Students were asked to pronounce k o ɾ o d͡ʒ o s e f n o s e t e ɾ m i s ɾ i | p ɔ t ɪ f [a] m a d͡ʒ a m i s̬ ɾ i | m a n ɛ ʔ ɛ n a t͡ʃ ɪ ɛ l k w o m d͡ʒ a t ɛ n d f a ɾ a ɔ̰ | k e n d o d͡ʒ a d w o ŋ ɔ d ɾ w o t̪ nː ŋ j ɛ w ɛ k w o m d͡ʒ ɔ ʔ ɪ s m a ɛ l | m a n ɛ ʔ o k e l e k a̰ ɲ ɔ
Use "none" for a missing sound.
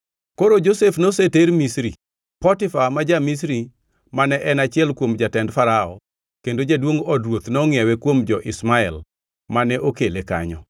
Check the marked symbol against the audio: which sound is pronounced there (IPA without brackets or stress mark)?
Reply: a